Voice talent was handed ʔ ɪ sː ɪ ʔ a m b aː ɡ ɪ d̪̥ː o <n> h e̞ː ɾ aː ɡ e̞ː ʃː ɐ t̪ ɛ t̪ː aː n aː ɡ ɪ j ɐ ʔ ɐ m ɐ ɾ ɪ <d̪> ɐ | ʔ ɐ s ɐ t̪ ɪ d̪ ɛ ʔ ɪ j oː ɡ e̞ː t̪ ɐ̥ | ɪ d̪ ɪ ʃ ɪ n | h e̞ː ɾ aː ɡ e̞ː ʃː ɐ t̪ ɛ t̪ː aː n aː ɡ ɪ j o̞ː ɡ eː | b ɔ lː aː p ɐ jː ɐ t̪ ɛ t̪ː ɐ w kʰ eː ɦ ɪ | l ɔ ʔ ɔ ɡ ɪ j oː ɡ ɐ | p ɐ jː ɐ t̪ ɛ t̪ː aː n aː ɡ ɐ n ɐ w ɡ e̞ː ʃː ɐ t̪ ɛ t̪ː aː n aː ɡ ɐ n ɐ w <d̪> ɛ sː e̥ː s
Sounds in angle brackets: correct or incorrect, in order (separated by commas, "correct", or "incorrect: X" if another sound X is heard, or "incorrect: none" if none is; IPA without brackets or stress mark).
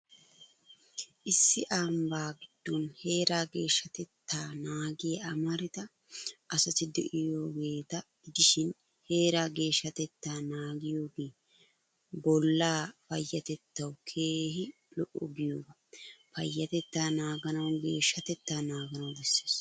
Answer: correct, incorrect: t̪, correct